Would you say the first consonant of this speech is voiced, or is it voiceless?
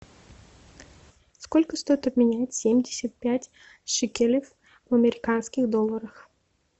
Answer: voiceless